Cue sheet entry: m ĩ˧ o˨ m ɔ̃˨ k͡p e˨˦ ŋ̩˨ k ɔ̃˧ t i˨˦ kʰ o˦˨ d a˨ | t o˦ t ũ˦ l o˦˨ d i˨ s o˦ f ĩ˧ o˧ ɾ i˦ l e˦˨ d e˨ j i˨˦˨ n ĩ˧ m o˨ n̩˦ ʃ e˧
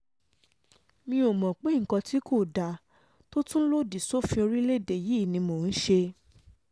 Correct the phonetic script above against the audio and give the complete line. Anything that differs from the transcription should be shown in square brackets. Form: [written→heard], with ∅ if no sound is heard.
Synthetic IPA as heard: m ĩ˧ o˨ m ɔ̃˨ k͡p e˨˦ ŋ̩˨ k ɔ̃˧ t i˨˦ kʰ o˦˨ d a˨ | t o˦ t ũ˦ l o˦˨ d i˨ s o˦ f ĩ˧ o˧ ɾ i˦ l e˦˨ d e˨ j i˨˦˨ n ĩ˧ m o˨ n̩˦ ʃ e˧